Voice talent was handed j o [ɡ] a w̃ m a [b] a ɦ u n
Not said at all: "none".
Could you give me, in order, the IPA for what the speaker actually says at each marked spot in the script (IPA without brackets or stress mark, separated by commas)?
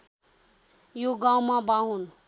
ɡ, b